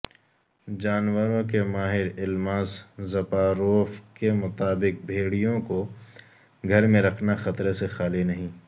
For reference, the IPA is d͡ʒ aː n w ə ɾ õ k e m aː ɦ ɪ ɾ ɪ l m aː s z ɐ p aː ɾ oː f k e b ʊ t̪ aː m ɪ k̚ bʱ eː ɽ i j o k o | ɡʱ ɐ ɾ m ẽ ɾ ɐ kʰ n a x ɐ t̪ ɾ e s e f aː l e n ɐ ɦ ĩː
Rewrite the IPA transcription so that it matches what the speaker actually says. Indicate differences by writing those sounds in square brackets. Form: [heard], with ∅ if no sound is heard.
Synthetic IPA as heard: d͡ʒ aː n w ə ɾ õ k e m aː ɦ ɪ ɾ ɪ l m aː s z ɐ p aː ɾ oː f k e [m] ʊ t̪ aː [b] ɪ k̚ bʱ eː ɽ i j [õ] k o | ɡʱ ɐ ɾ m ẽ ɾ ɐ kʰ n a x ɐ t̪ ɾ e s e [x] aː l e n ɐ ɦ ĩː